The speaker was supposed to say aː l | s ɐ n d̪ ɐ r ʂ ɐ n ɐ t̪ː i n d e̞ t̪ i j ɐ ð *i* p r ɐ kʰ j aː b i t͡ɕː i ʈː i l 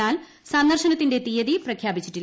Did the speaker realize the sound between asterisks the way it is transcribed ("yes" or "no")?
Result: yes